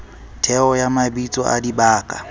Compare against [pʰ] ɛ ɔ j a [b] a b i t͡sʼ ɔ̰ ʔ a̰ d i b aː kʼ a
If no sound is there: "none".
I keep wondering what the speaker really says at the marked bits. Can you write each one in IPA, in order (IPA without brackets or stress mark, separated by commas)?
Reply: tʰ, m